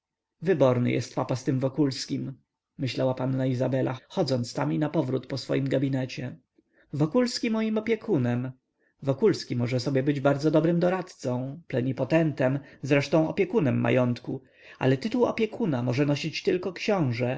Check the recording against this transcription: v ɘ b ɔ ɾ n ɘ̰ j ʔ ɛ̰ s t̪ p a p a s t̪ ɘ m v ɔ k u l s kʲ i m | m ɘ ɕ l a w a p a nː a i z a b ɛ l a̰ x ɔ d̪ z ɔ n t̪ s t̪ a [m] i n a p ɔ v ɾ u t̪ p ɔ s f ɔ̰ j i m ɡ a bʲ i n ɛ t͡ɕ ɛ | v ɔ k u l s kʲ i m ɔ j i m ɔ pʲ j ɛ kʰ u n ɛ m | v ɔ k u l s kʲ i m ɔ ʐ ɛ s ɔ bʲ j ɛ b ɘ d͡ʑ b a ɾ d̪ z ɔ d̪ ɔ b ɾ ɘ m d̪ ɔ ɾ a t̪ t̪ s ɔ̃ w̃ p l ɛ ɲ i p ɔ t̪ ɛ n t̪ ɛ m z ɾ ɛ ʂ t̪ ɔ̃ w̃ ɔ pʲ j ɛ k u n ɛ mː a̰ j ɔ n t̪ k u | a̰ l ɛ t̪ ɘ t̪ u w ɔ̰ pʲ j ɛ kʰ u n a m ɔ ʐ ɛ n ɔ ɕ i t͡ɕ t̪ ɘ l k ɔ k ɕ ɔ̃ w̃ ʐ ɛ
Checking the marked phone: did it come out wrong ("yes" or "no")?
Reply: no